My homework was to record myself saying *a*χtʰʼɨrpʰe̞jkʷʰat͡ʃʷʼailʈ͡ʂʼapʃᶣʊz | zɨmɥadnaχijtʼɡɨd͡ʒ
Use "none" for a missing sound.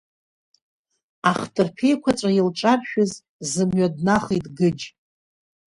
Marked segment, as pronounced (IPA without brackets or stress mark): a